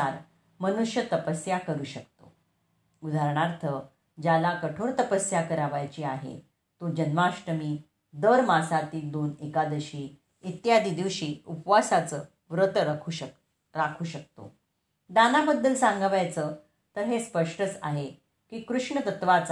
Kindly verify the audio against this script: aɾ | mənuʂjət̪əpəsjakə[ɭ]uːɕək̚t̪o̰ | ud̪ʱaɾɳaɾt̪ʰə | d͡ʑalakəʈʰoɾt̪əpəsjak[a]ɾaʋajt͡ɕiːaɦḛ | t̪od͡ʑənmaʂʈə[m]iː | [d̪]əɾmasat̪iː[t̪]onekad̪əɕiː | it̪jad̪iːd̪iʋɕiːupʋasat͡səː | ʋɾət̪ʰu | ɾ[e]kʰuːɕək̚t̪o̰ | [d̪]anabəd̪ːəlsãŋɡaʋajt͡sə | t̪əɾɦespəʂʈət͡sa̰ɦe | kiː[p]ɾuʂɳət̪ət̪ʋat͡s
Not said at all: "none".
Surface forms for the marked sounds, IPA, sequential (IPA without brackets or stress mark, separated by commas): ɾ, ə, m, d̪, d̪, a, d̪, k